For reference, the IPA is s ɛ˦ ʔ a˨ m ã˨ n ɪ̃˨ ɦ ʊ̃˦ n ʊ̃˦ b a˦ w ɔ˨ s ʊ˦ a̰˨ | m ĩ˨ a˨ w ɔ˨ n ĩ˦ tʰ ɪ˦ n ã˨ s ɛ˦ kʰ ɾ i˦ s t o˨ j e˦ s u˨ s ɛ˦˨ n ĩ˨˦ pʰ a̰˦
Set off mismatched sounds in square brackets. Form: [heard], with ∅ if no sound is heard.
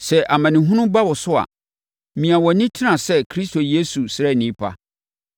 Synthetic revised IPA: s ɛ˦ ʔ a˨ m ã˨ n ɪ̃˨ ɦ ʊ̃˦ n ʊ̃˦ b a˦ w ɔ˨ s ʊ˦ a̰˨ | m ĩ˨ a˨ w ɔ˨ n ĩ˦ tʰ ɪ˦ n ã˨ s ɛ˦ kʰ ɾ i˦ s t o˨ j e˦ s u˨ s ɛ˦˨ n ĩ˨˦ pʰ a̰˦

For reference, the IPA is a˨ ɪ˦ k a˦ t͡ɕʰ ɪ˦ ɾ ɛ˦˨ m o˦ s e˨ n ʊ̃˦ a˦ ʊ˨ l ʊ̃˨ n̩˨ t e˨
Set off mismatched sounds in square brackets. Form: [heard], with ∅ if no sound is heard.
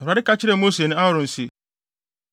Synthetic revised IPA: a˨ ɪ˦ k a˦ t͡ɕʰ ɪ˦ ɾ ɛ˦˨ m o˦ s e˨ n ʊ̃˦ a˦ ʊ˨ [ɾ] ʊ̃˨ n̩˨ [s] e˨

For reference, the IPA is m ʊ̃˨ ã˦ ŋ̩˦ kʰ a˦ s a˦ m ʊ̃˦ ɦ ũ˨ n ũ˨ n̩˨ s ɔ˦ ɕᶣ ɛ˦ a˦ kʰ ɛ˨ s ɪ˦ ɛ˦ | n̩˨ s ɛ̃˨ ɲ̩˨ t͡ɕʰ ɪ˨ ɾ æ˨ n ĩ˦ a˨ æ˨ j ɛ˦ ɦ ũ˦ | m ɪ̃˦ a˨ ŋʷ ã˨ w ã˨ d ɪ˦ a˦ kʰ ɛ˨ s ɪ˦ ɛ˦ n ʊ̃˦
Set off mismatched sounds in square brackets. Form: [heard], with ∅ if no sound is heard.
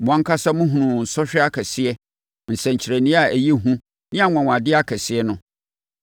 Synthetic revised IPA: m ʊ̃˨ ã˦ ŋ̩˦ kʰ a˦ s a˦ m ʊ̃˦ ɦ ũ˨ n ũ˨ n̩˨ s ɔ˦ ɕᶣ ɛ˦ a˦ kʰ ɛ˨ s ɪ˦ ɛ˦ | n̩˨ s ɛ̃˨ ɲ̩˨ t͡ɕʰ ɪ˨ ɾ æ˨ n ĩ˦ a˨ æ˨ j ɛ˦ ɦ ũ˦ | [n] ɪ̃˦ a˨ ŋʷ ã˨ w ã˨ d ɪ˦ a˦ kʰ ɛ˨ s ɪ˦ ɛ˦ n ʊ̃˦

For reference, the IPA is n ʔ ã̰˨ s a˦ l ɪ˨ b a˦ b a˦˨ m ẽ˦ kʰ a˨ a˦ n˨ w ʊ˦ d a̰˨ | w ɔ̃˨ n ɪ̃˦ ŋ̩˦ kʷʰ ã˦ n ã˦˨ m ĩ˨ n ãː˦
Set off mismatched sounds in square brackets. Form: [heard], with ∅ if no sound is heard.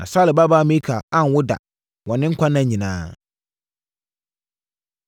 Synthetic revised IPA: n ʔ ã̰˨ s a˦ l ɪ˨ b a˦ b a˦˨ m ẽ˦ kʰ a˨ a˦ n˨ w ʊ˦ d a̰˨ | w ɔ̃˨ n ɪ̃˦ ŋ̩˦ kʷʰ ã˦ n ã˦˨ [ɲ] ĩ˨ n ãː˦

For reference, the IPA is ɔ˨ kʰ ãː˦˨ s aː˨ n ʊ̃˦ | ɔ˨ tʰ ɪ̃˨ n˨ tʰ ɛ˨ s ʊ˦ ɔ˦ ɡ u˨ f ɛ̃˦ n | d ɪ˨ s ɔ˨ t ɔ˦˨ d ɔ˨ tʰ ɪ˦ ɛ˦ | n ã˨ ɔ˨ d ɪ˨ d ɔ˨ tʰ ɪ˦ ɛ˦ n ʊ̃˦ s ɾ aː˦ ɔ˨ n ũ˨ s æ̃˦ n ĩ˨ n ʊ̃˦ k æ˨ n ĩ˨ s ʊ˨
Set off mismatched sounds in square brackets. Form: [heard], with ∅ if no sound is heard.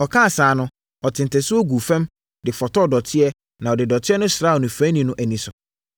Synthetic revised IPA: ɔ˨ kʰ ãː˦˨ s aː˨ n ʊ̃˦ | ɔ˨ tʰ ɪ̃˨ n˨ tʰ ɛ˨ s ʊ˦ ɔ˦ ɡ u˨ f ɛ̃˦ [m] | d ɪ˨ [f] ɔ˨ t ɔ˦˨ d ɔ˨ tʰ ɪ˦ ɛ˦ | n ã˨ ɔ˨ d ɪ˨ d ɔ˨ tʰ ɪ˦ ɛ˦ n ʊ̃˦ s ɾ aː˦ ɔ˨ n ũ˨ [f] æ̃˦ n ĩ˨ n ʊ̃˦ [ʔ] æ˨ n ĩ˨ s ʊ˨

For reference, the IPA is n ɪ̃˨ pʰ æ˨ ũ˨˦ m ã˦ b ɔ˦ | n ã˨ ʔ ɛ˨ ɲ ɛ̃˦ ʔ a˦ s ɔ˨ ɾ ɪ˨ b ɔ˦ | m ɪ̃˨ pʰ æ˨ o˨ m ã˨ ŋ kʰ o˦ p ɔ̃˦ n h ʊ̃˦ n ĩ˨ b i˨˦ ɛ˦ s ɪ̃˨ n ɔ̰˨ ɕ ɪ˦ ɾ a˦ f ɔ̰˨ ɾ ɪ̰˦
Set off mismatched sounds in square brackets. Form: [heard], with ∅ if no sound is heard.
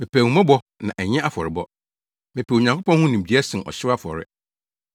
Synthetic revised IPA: [m] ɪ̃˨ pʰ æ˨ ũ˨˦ m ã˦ b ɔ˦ | n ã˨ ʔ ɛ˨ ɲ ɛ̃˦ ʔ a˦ [f] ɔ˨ ɾ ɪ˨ b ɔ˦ | m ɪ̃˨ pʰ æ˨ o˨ [ɲ] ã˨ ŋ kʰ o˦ p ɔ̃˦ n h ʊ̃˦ n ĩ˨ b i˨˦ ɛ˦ s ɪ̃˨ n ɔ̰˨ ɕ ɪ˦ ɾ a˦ f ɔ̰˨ ɾ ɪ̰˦

